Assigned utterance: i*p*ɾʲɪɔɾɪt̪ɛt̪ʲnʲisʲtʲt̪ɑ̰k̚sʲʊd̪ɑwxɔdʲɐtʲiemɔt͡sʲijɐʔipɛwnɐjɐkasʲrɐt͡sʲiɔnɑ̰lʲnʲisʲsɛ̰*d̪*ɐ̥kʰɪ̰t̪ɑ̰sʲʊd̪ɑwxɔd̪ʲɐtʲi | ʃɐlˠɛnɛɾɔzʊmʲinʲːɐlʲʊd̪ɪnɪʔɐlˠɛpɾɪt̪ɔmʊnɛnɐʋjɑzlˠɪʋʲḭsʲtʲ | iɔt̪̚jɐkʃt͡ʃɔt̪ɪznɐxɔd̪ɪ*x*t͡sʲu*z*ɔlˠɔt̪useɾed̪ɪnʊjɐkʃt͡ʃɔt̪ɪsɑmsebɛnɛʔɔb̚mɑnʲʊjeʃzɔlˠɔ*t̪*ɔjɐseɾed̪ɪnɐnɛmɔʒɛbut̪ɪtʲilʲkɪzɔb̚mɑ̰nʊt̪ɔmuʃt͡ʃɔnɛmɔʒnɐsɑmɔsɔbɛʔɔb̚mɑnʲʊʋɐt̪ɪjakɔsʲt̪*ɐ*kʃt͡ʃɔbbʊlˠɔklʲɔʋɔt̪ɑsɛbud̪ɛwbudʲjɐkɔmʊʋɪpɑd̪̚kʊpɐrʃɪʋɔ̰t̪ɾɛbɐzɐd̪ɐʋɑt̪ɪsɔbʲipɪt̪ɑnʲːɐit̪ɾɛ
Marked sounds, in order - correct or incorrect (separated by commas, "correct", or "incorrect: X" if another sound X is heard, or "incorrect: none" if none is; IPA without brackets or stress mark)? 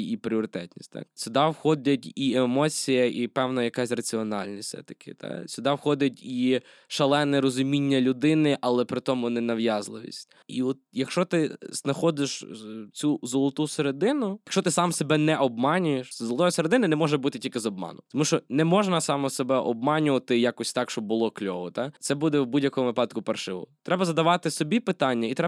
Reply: correct, incorrect: t̪, incorrect: ʃ, correct, correct, incorrect: ɑ